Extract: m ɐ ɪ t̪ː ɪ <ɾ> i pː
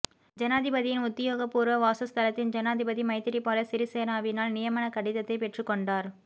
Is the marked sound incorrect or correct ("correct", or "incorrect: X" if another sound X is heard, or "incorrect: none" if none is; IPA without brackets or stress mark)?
correct